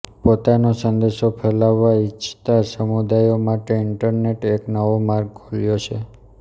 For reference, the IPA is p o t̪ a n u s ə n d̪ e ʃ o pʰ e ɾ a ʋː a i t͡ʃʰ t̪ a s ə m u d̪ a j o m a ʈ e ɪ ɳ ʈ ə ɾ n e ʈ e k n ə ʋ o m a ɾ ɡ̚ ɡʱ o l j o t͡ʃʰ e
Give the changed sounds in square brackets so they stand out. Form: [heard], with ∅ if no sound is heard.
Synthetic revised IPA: p o t̪ a n [o] s ə n d̪ e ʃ o pʰ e [l] a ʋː a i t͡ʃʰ t̪ a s ə m u d̪ a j o m a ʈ e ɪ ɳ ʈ ə ɾ n e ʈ e k n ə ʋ o m a ɾ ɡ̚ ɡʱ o l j o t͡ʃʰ e